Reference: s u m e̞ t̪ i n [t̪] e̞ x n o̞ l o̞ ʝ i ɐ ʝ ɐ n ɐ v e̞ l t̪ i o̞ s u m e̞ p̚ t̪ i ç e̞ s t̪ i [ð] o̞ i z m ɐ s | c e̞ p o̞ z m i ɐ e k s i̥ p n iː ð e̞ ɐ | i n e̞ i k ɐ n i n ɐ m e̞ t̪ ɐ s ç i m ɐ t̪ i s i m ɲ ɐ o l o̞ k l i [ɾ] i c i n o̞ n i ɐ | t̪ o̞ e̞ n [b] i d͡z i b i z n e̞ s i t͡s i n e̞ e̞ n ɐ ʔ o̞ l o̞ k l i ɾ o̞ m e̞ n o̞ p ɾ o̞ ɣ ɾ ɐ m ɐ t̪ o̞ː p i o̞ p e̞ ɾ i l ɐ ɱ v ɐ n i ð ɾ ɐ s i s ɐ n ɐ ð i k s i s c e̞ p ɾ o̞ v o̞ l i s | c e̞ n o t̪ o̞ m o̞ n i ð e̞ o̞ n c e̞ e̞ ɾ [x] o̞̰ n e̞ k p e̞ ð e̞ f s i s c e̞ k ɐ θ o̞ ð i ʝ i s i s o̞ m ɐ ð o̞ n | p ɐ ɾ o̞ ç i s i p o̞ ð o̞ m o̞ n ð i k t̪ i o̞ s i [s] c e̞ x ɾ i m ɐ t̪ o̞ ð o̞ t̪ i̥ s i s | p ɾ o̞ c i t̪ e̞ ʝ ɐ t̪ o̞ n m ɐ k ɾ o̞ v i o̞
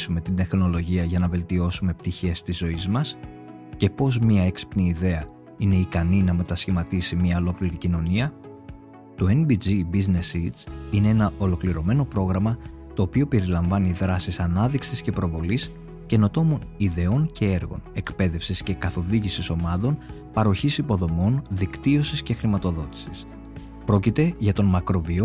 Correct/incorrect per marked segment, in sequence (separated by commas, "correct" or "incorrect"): incorrect, incorrect, correct, correct, incorrect, correct